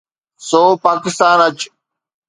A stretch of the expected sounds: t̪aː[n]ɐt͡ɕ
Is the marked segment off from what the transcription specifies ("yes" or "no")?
no